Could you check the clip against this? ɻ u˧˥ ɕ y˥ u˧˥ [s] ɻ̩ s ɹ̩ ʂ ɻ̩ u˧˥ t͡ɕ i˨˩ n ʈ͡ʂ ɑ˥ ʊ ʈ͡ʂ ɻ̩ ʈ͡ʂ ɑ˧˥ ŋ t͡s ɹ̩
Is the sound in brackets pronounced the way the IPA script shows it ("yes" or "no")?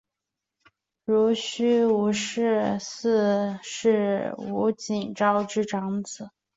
no